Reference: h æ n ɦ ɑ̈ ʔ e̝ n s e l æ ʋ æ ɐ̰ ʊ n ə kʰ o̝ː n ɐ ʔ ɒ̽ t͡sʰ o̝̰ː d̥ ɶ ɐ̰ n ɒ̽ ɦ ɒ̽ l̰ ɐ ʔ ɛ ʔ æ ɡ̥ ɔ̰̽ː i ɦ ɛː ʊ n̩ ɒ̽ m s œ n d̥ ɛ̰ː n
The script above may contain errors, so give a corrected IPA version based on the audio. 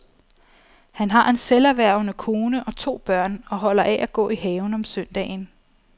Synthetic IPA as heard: h æ n ɦ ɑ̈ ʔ e̝ n s e l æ ʋ æ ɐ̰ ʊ n ə kʰ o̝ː n ə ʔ ɒ̽ t͡sʰ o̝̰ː b̥ ɶ ɐ̰ n ɒ̽ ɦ ɒ̽ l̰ ɐ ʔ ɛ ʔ æ ɡ̥ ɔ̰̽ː i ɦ ɛː ʊ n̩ ɒ̽ m s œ n d̥ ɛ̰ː n